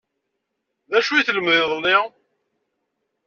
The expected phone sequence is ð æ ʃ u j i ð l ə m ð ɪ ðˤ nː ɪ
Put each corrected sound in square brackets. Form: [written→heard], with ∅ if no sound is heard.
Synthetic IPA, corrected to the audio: ð æ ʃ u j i [ð→θ] l ə m ð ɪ ðˤ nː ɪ